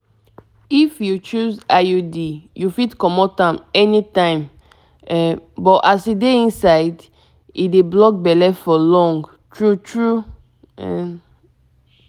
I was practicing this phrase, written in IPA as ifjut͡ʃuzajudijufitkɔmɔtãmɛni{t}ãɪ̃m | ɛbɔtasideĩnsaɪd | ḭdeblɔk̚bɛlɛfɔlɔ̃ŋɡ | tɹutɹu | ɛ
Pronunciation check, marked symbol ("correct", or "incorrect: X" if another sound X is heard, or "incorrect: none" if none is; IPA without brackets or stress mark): correct